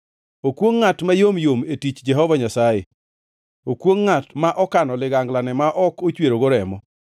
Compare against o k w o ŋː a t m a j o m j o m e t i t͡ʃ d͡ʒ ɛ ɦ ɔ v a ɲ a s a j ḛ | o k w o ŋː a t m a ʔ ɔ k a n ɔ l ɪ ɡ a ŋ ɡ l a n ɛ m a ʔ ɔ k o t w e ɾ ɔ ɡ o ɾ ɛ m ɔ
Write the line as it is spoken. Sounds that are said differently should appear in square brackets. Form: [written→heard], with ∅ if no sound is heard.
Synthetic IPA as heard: o k w o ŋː a t m a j o m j o m e t i t͡ʃ d͡ʒ ɛ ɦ ɔ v a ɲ a s a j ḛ | o k w o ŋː a t m a ʔ ɔ k a n ɔ l ɪ ɡ a ŋ ɡ l a n ɛ m a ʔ ɔ k o [t→t͡ʃ] w e ɾ [ɔ→o] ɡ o ɾ ɛ m ɔ

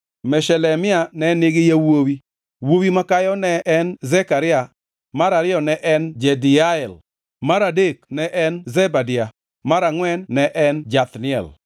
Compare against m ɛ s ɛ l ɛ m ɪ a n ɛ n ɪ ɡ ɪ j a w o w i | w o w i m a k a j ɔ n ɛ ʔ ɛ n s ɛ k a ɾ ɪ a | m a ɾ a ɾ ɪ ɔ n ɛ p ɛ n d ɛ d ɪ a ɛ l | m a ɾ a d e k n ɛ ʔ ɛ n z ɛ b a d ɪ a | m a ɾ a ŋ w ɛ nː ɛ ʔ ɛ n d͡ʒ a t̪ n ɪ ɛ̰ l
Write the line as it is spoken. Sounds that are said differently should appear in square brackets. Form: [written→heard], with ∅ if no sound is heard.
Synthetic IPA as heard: m ɛ [s→ʃ] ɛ l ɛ m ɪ a n ɛ n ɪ ɡ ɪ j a w o w i | w o w i m a k a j ɔ n ɛ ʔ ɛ n [s→z] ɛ k a ɾ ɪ a | m a ɾ a ɾ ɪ ɔ n ɛ [p→ʔ] ɛ n [d→d͡ʒ] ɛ d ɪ a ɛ l | m a ɾ a d e k n ɛ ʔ ɛ n z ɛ b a d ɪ a | m a ɾ a ŋ w ɛ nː ɛ ʔ ɛ n d͡ʒ a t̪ n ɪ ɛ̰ l

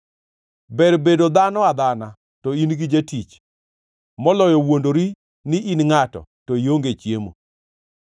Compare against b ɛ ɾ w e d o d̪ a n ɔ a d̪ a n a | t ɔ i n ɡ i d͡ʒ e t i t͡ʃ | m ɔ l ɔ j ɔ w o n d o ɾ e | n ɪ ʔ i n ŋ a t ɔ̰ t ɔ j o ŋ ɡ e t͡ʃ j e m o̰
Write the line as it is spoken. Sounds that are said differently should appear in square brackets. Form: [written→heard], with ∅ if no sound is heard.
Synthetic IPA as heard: b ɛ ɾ [w→b] e d o d̪ a n ɔ a d̪ a n a | t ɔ i n ɡ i d͡ʒ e t i t͡ʃ | m ɔ l ɔ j ɔ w o n d o ɾ [e→i] | n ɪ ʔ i n ŋ a t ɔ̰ t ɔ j o ŋ ɡ e t͡ʃ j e m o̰

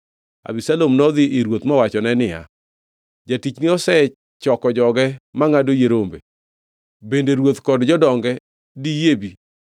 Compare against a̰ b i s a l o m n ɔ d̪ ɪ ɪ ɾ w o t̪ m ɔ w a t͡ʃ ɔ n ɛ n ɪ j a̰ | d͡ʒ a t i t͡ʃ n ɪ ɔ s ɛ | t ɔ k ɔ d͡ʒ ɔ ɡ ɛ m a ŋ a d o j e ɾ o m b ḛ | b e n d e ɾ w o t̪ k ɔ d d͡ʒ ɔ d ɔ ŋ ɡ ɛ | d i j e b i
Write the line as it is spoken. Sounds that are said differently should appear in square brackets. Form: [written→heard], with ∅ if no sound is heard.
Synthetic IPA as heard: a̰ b i s a l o m n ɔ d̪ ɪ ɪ ɾ w o t̪ m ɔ w a t͡ʃ ɔ n ɛ n ɪ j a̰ | d͡ʒ a t i t͡ʃ n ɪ ɔ s ɛ | [t→t͡ʃ] ɔ k ɔ d͡ʒ ɔ ɡ ɛ m a ŋ a d o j e ɾ o m b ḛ | b e n d e ɾ w o t̪ k ɔ d d͡ʒ ɔ d ɔ ŋ ɡ ɛ | d i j e b i

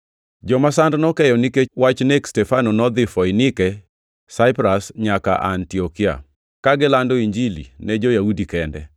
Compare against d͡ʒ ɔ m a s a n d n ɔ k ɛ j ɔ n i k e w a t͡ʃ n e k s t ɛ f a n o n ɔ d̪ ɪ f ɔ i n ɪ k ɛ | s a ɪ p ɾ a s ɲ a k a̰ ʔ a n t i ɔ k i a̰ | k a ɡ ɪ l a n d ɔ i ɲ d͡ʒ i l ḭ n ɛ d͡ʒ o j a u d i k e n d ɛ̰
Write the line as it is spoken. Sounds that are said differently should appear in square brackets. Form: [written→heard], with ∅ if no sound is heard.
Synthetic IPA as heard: d͡ʒ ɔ m a s a n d n ɔ k ɛ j ɔ n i k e w a t͡ʃ n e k s t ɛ f a n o n ɔ d̪ ɪ f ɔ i n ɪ k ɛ | s a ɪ p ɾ a s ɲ a k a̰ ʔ a n t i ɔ k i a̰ | k a ɡ ɪ l a n d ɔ i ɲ d͡ʒ i l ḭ n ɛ d͡ʒ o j a u d i k [e→ɛ] n d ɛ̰

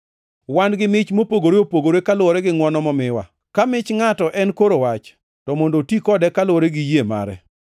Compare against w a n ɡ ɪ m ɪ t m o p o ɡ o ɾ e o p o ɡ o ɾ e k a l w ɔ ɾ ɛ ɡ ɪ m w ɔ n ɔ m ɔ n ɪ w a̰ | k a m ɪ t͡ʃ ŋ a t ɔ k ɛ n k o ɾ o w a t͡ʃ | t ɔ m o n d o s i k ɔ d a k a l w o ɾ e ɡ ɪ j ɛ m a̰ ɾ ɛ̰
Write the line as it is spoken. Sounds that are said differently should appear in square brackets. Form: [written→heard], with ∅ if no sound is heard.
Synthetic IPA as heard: w a n ɡ ɪ m ɪ [t→t͡ʃ] m o p o ɡ o ɾ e o p o ɡ o ɾ e k a l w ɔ ɾ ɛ ɡ ɪ [m→ŋ] w ɔ n ɔ m ɔ [n→m] ɪ w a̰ | k a m ɪ t͡ʃ ŋ a t ɔ [k→ʔ] ɛ n k o ɾ o w a t͡ʃ | t ɔ m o n d o [s→t] i k ɔ d [a→ɛ] k a l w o ɾ e ɡ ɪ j [ɛ→e] m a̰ ɾ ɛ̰

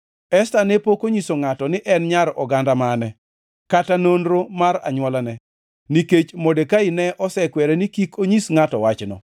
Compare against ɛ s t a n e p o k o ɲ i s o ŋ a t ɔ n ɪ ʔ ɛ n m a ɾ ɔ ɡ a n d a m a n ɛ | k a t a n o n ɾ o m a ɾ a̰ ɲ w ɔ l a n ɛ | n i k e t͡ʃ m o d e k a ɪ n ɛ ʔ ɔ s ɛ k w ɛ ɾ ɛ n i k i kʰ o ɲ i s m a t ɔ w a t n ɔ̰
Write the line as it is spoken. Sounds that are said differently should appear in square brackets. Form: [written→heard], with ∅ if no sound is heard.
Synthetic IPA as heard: ɛ s t a n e p o k o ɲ i s o ŋ a t ɔ n ɪ ʔ ɛ n [m→ɲ] a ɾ ɔ ɡ a n d a m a n ɛ | k a t a n o n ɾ o m a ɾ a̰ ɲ w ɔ l a n ɛ | n i k e t͡ʃ m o d e k a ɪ n ɛ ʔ ɔ s ɛ k w ɛ ɾ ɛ n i k i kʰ o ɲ i s [m→ŋ] a t ɔ w a [t→t͡ʃ] n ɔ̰

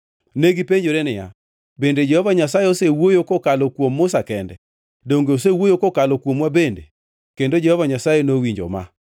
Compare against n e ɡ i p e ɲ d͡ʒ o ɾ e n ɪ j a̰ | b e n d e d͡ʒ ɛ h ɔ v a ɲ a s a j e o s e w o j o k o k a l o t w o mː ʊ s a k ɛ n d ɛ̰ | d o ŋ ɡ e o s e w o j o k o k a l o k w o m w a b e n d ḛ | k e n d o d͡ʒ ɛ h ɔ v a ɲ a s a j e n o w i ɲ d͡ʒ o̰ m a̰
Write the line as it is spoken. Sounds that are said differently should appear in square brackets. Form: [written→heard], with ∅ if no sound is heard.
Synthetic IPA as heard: n e ɡ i p e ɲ d͡ʒ o ɾ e n ɪ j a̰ | b e n d e d͡ʒ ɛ h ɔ v a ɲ a s a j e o s e w o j o k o k a l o [t→k] w o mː ʊ s a k ɛ n d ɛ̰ | d o ŋ ɡ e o s e w o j o k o k a l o k w o m w a b e n d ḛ | k e n d o d͡ʒ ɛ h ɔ v a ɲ a s a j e n o w i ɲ d͡ʒ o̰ m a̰

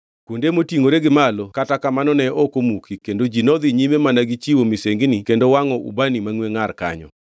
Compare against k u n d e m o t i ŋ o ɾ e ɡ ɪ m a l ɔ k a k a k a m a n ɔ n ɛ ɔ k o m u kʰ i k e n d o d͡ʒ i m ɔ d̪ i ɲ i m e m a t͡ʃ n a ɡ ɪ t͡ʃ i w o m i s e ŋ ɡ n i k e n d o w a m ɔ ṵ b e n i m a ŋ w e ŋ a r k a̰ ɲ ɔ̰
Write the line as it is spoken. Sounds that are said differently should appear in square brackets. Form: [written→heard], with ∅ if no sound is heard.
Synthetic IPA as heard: k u n d e m o t i ŋ o ɾ e ɡ ɪ m a l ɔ k a [k→t] a k a m a n ɔ n ɛ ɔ k o m u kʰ i k e n d o d͡ʒ i [m→n] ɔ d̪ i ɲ i m e m a [t͡ʃ→∅] n a ɡ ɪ t͡ʃ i w o m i s e ŋ ɡ n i k e n d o w a [m→ŋ] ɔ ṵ b [e→a] n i m a ŋ w e ŋ a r k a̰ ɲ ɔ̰

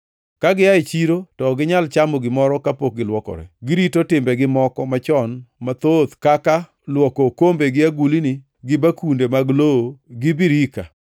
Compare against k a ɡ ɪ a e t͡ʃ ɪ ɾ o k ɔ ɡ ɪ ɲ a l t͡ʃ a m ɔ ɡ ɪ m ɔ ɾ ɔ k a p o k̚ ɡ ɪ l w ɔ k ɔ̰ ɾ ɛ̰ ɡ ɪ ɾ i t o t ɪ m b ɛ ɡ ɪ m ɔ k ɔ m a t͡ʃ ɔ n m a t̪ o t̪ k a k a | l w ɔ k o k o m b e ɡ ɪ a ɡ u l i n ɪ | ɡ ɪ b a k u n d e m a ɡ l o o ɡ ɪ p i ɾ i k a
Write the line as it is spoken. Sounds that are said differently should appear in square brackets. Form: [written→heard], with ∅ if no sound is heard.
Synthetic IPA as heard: k a ɡ ɪ a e t͡ʃ [ɪ→i] ɾ o [k→t] ɔ ɡ ɪ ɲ a l t͡ʃ a m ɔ ɡ ɪ m ɔ ɾ ɔ k a p o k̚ ɡ ɪ l w ɔ k ɔ̰ ɾ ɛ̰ ɡ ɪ ɾ i t o t ɪ m b ɛ ɡ ɪ m ɔ k ɔ m a t͡ʃ ɔ n m a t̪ o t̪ k a k a | l w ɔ k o k o m b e ɡ ɪ a ɡ u l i n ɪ | ɡ ɪ b a k u n d e m a ɡ l o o ɡ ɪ [p→b] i ɾ i k a

